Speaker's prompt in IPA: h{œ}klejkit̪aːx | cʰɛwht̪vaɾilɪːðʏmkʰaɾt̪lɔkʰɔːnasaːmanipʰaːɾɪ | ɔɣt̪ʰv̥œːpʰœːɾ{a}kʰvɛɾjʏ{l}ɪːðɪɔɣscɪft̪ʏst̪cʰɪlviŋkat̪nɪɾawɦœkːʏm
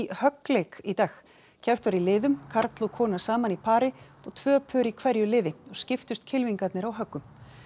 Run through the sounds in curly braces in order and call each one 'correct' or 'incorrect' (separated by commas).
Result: correct, incorrect, correct